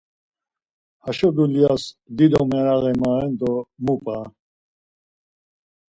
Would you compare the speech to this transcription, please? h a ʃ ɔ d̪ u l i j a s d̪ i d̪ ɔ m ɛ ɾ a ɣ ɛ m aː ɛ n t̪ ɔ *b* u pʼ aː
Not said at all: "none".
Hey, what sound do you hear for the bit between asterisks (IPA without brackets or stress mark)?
m